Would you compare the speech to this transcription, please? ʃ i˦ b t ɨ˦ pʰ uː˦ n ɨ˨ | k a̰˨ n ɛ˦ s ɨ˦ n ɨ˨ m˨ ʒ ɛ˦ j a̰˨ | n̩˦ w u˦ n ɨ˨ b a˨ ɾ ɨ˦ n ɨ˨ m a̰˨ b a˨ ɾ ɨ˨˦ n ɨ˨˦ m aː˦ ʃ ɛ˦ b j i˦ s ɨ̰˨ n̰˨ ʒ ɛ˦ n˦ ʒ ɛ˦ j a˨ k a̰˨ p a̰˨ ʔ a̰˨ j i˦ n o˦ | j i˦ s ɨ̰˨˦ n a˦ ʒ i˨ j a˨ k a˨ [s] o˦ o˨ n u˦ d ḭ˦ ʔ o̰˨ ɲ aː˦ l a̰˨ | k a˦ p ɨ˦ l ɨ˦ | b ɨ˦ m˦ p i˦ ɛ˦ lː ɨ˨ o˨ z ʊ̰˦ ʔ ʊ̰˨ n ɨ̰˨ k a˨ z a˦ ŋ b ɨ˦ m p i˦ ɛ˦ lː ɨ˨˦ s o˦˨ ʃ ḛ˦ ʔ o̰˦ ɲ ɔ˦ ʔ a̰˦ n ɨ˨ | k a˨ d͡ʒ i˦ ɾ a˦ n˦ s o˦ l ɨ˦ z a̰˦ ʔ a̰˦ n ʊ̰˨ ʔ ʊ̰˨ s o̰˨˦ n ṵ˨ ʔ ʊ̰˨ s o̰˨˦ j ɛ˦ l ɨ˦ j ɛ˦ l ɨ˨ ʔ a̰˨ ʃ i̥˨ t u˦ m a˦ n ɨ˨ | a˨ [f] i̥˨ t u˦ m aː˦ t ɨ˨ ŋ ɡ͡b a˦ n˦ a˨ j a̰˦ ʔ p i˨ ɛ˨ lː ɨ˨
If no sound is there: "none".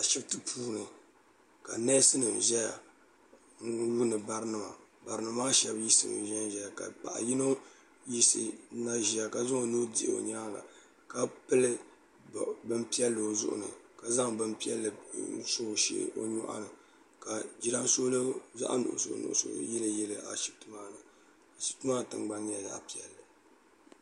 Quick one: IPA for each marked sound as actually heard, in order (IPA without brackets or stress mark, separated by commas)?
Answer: z, ʃ